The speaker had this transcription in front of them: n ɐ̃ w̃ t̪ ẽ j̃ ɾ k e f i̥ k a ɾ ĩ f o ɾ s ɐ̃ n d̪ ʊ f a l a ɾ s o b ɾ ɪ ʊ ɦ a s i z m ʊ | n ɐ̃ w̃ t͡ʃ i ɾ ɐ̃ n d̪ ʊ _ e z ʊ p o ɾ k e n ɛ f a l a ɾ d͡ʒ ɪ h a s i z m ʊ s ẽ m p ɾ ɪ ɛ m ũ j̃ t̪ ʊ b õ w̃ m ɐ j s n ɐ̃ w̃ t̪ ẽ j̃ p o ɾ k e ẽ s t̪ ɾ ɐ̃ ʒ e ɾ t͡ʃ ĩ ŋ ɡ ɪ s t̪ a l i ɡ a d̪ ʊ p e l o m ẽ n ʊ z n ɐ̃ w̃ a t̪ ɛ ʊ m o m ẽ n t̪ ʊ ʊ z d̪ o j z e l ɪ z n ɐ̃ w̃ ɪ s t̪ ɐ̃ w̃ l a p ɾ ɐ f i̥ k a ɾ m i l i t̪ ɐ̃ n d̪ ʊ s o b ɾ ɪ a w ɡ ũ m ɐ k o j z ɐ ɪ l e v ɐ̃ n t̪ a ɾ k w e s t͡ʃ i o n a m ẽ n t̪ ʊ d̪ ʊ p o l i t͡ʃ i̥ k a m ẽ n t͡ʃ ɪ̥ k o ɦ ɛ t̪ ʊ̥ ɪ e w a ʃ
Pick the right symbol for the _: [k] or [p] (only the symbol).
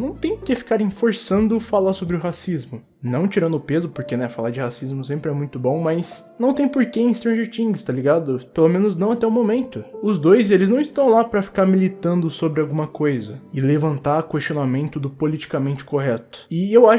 p